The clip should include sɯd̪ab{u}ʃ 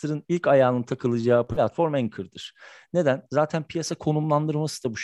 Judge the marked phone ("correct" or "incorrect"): correct